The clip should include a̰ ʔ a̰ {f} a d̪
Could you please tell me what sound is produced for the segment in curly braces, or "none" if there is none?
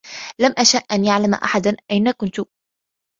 ħ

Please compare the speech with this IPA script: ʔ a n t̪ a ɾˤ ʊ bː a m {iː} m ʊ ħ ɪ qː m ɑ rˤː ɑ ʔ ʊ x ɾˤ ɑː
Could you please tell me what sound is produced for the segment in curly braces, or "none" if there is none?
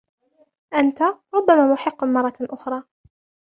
aː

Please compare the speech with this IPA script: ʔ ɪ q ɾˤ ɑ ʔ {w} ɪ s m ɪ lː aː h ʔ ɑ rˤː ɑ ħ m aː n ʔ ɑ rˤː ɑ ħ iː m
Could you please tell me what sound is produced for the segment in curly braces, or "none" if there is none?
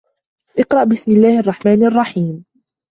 b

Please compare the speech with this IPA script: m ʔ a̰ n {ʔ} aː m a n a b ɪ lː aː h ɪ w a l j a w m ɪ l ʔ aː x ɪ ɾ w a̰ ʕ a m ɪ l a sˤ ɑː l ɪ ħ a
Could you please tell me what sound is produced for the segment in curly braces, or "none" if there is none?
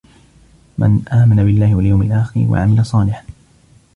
ʔ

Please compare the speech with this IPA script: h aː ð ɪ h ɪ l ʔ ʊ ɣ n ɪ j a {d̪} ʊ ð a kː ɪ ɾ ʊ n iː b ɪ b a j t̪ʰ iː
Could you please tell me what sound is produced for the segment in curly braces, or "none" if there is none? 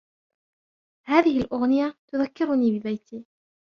t̪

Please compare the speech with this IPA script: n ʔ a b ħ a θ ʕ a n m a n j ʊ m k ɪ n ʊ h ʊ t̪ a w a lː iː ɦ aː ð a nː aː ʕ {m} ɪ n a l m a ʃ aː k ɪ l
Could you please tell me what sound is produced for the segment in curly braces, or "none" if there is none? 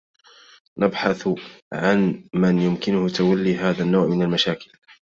m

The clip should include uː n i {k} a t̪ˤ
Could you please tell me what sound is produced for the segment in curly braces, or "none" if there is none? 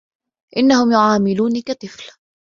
k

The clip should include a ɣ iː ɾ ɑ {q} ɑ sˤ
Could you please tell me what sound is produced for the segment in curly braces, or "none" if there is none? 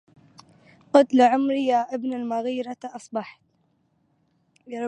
ʔ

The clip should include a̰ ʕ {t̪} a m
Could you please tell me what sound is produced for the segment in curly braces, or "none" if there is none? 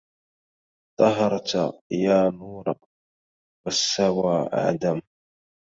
d̪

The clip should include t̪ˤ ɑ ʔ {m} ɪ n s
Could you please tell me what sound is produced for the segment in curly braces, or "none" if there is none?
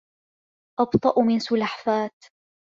m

